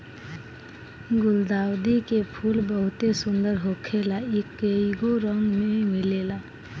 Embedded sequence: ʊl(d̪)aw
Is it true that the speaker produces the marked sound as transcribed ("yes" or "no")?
yes